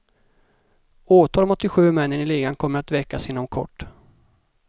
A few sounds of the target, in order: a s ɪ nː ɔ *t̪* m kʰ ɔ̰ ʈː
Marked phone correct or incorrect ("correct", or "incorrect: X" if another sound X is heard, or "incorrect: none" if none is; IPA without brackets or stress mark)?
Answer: incorrect: none